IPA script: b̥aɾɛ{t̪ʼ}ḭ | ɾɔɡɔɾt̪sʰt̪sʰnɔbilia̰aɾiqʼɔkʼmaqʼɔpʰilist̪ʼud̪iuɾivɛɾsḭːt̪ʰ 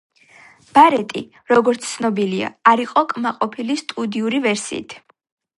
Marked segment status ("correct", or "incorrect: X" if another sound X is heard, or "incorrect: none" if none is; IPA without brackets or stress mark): correct